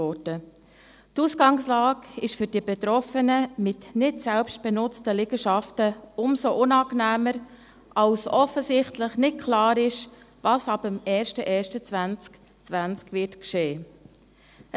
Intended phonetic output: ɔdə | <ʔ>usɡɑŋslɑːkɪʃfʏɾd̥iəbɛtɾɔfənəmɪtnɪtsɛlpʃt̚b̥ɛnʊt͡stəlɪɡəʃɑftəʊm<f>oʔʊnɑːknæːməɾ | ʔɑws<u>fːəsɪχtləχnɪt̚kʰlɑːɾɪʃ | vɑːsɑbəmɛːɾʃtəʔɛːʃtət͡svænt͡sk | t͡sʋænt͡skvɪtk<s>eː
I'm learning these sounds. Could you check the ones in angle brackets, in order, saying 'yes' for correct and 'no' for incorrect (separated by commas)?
no, no, no, no